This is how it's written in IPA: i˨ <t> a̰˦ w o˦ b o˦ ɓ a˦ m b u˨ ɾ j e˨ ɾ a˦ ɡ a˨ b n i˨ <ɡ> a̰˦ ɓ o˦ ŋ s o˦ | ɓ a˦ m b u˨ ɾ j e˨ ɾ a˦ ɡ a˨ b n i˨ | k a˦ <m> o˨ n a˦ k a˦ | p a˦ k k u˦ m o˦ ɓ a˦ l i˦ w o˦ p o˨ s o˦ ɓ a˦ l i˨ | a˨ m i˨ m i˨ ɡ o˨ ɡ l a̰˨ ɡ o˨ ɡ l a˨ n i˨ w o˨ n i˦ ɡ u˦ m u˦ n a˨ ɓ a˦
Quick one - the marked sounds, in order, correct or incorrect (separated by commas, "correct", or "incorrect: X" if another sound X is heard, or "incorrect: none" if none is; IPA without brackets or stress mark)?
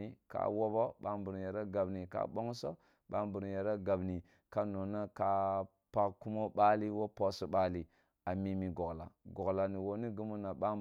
incorrect: k, incorrect: k, incorrect: n